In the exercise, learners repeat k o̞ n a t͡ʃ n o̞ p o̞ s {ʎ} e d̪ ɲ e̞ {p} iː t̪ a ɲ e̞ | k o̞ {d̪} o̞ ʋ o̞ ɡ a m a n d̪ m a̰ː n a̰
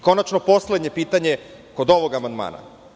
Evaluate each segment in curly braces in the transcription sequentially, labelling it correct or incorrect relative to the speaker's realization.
incorrect, correct, correct

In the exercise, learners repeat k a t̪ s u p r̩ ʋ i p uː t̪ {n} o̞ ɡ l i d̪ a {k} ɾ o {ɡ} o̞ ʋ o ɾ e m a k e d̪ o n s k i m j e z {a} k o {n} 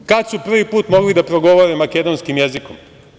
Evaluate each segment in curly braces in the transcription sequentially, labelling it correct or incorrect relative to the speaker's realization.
incorrect, incorrect, correct, incorrect, incorrect

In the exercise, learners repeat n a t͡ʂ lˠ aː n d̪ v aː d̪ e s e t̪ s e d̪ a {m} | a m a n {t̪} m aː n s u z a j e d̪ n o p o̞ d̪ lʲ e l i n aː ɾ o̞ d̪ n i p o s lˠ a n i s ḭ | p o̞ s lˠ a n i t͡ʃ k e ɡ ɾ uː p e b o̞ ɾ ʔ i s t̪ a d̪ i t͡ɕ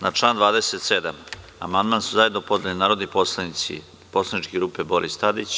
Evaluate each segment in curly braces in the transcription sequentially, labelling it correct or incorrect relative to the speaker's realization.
correct, incorrect

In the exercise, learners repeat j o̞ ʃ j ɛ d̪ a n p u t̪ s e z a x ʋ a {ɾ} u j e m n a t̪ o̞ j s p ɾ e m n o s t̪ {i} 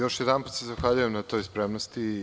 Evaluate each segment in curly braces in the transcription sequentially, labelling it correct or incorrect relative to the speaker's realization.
incorrect, correct

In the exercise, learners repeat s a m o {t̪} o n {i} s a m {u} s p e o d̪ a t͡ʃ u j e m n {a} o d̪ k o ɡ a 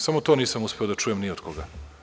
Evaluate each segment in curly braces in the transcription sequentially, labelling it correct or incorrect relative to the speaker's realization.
correct, incorrect, correct, incorrect

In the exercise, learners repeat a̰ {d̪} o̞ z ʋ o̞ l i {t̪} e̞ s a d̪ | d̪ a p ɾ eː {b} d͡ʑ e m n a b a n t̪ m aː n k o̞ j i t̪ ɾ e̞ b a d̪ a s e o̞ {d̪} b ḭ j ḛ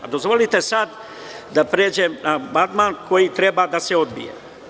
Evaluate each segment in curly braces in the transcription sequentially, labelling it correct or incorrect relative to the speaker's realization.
correct, correct, incorrect, correct

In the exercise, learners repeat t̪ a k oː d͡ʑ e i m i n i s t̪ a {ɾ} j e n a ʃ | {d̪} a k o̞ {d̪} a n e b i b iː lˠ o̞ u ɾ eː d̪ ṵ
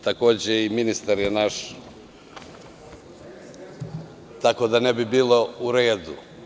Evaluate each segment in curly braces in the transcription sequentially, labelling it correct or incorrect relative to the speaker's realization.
correct, incorrect, correct

